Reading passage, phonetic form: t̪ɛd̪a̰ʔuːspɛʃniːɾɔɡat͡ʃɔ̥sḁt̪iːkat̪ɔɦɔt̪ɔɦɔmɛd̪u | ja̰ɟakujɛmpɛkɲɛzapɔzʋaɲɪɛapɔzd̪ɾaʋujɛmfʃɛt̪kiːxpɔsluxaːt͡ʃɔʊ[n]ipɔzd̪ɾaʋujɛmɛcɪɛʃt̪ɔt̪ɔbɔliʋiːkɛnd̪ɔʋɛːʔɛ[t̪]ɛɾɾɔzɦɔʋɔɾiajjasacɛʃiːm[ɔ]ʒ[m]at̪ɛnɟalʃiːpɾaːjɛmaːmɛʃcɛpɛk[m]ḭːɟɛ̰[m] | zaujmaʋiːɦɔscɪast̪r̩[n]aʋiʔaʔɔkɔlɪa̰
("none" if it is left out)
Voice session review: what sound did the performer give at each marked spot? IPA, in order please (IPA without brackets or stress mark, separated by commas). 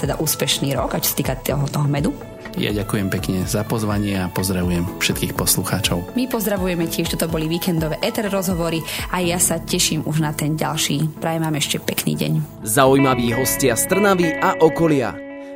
m, t̪, u, n, n, ɲ, n